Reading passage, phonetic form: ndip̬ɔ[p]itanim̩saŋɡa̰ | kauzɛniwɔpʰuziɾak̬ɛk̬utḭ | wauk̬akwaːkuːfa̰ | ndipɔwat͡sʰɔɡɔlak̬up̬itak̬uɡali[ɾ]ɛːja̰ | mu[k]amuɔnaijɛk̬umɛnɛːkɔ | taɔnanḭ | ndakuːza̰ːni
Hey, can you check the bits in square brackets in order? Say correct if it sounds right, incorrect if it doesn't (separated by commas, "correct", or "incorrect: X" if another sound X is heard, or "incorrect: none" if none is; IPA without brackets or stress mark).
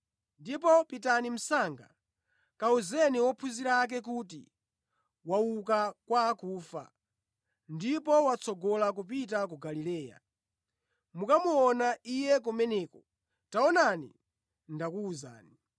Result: correct, incorrect: l, correct